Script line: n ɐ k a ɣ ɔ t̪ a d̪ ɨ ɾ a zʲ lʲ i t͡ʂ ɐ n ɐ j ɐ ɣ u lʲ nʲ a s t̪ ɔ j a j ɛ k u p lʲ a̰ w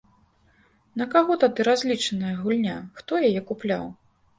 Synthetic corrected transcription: n ɐ k a ɣ ɔ t̪ a d̪ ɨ ɾ a zʲ lʲ i t͡ʂ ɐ n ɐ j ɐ ɣ u lʲ nʲ a x t̪ ɔ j a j ɛ k u p lʲ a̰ w